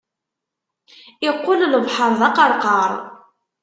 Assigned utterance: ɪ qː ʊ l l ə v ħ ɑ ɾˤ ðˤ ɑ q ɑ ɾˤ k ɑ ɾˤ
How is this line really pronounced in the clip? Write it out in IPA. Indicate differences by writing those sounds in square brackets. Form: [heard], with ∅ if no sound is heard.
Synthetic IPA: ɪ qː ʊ l l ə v ħ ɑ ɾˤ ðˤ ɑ q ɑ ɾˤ [q] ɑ ɾˤ